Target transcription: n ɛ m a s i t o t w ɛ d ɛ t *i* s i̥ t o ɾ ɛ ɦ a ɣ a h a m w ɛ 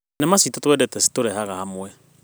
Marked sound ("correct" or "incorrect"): incorrect